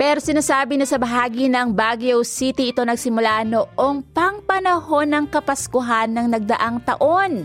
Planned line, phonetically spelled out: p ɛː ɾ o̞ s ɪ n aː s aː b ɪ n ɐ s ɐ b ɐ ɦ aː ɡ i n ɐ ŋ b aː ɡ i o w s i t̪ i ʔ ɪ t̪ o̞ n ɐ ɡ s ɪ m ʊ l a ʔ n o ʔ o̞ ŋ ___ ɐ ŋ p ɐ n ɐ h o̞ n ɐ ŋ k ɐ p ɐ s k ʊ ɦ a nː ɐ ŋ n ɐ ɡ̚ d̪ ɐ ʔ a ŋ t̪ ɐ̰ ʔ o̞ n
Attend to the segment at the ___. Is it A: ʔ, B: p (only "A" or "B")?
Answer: B